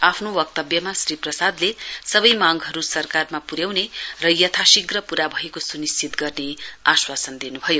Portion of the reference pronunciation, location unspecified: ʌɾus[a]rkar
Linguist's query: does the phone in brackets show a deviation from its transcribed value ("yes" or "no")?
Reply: yes